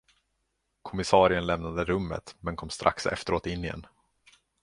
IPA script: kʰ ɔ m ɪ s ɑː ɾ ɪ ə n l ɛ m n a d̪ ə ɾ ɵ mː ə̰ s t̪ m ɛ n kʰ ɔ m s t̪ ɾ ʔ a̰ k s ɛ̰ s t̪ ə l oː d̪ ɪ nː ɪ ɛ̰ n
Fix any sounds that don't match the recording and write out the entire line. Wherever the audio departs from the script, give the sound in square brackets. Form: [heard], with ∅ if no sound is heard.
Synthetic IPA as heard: kʰ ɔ m ɪ s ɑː ɾ ɪ ə n l ɛ m n a d̪ ə ɾ ɵ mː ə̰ [∅] t̪ m ɛ n kʰ ɔ m s t̪ ɾ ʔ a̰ k s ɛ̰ [f] t̪ ə [ɾ] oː [t̪] ɪ nː ɪ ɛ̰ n